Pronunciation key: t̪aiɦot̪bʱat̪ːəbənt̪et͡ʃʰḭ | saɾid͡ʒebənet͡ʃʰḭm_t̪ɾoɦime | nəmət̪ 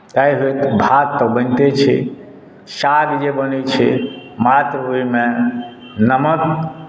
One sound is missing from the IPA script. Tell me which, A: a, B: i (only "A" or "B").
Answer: A